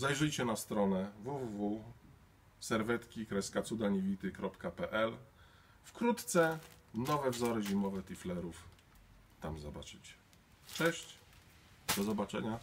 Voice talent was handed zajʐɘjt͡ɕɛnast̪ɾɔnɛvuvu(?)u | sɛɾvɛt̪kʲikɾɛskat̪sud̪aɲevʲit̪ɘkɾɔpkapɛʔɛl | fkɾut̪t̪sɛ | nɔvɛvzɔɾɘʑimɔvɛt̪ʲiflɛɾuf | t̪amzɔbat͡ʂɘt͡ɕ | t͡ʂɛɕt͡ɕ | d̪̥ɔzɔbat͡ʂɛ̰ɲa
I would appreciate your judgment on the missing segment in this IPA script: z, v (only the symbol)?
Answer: v